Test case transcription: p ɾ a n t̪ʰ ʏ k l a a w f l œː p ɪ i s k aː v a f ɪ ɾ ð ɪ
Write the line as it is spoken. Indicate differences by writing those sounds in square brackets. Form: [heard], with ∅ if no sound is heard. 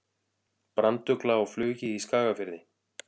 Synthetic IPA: p ɾ a n [t̪] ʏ k l a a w f l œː [c] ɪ i s k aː [ɣ] a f ɪ ɾ ð ɪ